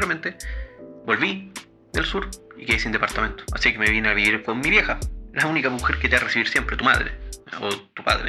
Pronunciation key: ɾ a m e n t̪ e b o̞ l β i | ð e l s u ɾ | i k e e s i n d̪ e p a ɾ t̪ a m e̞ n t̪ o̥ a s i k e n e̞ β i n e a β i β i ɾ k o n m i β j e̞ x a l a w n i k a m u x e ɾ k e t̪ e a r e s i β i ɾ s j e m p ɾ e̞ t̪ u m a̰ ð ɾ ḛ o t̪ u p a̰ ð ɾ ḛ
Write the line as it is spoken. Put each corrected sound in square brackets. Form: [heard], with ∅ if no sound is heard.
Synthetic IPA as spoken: ɾ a m e n t̪ e b o̞ l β i | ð e l s u ɾ | i k e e s i n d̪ e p a ɾ t̪ a m e̞ n t̪ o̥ a s i k e [m] e̞ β i n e a β i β i ɾ k o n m i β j e̞ x a l a [u] n i k a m u x e ɾ k e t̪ e a r e s i β i ɾ s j e m p ɾ e̞ t̪ u m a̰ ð ɾ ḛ o t̪ u p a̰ ð ɾ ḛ